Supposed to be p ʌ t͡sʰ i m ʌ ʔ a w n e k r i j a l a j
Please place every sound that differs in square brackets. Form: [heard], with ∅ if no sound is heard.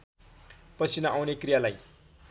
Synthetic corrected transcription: p ʌ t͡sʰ i [n] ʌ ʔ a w n e k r i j a l a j